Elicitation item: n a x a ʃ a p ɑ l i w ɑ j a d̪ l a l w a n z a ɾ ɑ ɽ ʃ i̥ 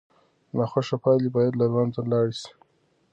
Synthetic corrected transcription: n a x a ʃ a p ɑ l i b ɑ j a d̪ l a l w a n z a l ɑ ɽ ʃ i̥